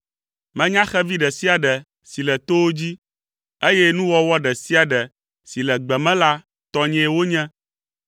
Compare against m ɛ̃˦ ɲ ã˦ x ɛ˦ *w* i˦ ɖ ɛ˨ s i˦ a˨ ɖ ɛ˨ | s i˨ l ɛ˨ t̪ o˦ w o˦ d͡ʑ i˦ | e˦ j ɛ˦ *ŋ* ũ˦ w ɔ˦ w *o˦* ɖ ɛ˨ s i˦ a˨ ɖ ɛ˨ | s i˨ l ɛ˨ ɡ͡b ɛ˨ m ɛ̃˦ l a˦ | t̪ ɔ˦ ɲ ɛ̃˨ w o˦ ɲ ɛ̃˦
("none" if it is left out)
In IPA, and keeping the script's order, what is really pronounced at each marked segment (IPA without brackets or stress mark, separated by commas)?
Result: v, n, ɔ˦